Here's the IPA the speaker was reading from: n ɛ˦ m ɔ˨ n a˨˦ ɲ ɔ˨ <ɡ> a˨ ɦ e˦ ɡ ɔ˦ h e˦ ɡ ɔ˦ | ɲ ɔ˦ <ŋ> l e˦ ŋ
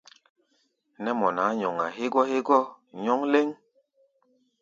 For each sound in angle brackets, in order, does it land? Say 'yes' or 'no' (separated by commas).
no, yes